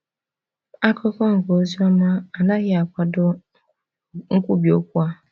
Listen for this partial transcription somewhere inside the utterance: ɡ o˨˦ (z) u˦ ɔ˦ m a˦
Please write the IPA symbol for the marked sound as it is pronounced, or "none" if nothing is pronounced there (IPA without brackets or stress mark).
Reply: z